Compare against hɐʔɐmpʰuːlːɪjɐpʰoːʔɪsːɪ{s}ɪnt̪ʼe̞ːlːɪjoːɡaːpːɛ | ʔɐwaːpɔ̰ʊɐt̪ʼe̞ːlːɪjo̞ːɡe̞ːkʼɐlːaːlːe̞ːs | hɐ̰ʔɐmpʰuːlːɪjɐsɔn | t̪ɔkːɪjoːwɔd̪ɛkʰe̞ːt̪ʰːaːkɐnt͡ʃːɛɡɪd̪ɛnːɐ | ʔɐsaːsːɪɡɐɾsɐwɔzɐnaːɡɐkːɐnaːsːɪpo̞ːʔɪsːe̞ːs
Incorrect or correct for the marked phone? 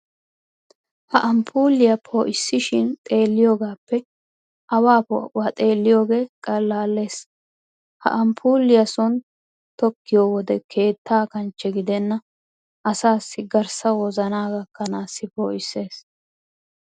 incorrect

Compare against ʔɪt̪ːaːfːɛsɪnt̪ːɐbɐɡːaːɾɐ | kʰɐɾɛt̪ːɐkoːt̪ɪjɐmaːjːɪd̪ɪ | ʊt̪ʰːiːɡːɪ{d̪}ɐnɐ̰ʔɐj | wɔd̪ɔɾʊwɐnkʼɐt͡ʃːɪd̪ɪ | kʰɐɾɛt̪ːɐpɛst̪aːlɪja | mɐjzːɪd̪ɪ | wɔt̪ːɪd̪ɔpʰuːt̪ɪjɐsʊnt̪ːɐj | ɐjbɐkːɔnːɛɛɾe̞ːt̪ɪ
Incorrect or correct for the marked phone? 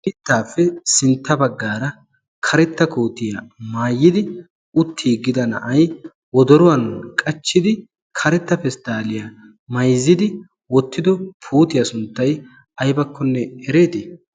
correct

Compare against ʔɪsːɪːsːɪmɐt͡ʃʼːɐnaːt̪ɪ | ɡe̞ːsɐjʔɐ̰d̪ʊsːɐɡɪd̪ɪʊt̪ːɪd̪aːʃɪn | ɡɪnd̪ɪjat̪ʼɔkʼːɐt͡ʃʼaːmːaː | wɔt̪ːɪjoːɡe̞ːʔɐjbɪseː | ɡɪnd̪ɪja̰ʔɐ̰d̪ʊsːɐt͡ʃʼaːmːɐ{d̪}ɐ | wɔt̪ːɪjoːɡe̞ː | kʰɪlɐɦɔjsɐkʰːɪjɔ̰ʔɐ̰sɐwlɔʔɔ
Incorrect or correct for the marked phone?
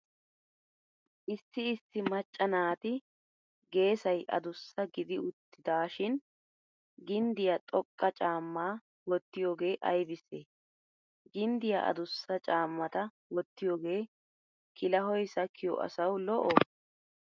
incorrect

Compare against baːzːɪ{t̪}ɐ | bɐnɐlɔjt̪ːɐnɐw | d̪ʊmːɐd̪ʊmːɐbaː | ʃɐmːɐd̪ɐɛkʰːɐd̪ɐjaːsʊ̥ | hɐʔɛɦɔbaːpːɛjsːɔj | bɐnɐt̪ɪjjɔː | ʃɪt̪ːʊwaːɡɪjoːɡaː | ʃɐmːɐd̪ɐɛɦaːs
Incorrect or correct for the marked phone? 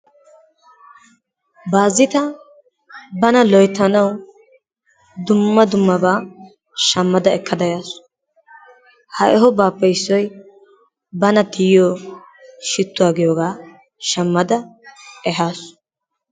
correct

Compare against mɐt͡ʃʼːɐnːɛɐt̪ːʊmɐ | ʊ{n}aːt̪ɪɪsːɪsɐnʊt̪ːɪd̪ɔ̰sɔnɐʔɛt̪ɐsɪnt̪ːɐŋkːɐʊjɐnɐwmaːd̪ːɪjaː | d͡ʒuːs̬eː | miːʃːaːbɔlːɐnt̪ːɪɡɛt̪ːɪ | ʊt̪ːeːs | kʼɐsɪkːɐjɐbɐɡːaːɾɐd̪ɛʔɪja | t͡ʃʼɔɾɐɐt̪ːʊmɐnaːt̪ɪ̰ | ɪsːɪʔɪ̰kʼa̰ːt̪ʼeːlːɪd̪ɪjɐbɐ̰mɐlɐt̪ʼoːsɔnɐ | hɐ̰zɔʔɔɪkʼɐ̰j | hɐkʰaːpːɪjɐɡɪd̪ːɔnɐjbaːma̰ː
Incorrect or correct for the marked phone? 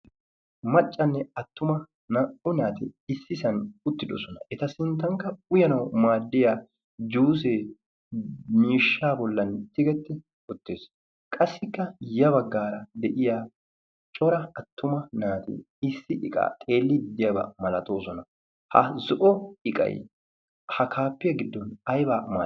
correct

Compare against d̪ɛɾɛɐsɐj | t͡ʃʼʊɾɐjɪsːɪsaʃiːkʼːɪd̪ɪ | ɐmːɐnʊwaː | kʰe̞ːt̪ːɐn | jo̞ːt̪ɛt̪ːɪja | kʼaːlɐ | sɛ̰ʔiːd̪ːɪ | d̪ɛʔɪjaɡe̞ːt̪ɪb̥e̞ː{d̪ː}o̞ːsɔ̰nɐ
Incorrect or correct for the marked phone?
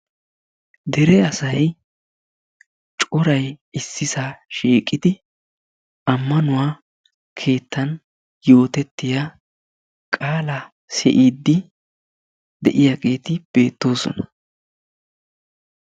incorrect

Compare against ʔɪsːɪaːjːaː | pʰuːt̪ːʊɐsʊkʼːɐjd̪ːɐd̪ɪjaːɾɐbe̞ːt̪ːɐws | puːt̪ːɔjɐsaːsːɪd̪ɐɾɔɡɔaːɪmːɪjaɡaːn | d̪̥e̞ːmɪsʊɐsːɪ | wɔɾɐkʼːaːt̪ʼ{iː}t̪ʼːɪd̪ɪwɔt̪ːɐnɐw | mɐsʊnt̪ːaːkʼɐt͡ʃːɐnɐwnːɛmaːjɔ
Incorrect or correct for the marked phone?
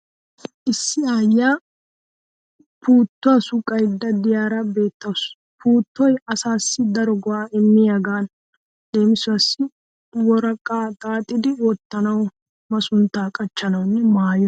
incorrect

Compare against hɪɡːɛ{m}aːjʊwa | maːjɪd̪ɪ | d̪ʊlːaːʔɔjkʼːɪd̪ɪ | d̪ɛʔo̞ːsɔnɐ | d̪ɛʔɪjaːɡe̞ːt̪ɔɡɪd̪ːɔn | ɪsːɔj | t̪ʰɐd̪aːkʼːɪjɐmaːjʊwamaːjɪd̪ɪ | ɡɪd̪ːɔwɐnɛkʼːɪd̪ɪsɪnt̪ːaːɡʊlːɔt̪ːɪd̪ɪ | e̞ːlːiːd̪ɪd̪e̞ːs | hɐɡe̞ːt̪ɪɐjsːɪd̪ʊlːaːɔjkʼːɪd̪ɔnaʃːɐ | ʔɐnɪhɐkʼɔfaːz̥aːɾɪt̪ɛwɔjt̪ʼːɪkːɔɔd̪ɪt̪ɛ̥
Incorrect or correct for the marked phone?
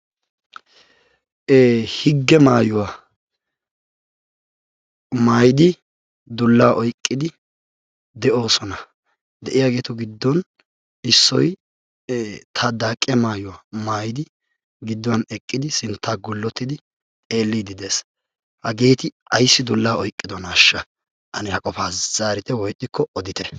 correct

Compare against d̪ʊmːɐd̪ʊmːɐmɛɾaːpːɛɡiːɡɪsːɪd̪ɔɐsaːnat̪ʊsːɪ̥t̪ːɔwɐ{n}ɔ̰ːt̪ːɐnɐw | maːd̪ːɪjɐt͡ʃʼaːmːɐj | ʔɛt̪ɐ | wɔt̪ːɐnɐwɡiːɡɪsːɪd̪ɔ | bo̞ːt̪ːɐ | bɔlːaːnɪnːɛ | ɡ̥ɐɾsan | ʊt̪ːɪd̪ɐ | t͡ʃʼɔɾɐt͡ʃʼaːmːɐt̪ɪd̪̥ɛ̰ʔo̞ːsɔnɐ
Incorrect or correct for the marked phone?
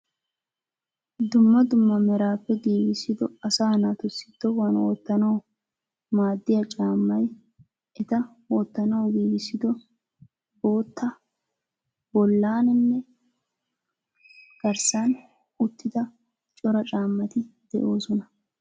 correct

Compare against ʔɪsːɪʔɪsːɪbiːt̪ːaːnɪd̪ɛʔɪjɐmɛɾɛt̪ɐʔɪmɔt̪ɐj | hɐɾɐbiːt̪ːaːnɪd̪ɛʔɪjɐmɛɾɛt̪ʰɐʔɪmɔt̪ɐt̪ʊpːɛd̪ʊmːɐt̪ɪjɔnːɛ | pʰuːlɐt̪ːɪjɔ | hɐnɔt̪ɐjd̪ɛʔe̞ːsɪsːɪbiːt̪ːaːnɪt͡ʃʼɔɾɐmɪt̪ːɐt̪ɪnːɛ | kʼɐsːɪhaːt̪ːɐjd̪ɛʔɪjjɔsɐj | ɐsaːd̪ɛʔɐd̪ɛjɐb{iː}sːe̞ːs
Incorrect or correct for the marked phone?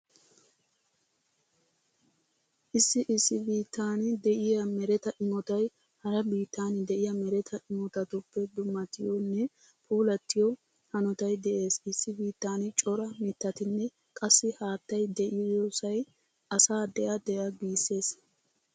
correct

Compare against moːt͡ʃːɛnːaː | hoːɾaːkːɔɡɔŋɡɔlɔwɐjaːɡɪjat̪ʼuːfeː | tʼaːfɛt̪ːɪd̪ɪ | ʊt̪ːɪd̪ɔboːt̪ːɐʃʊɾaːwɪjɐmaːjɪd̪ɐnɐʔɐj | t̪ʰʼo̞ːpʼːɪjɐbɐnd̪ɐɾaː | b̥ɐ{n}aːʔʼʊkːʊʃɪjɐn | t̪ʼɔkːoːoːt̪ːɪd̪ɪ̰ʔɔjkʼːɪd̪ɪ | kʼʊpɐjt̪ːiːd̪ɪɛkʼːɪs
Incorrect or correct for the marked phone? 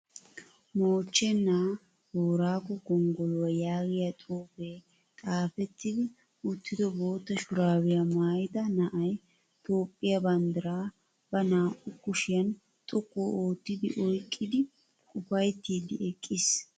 correct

